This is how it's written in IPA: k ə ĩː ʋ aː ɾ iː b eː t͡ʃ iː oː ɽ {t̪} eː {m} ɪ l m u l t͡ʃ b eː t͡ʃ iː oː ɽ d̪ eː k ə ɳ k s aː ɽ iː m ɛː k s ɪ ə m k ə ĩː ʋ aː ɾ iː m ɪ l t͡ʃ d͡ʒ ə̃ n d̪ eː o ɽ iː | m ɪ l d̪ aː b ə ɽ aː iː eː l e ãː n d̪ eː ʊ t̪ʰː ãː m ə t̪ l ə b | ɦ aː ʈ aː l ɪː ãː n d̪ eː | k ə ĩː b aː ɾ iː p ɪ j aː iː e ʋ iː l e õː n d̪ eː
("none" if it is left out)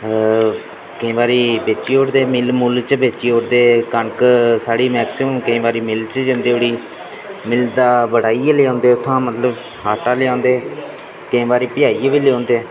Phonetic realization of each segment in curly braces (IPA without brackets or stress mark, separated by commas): d̪, m